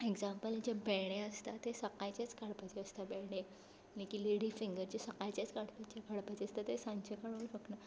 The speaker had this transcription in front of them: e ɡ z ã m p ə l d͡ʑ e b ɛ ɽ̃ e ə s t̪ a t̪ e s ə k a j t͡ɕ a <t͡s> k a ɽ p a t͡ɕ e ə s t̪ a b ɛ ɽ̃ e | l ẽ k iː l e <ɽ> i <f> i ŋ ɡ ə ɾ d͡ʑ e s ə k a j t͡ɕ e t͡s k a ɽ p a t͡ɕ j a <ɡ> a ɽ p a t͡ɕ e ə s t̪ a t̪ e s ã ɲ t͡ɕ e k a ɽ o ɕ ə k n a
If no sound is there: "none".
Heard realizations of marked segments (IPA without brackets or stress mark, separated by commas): t͡s, ɽ, f, k